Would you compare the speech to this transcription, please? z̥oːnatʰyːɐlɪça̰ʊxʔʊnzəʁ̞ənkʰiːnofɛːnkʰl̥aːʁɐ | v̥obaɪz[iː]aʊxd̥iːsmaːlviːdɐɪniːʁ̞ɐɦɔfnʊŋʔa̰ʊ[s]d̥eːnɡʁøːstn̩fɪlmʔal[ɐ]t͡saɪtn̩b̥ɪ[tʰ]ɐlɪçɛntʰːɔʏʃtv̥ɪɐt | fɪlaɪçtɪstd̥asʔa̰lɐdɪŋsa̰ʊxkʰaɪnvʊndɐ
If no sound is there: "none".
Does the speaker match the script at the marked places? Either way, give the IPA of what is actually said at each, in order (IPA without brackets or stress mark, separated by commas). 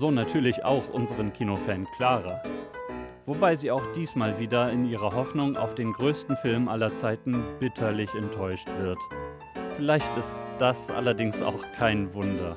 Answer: iː, f, ɐ, tʰ